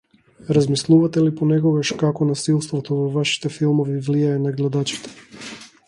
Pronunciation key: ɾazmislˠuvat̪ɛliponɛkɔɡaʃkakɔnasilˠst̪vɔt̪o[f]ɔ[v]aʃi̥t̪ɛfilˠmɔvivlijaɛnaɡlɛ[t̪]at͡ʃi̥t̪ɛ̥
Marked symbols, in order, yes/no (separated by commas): no, yes, no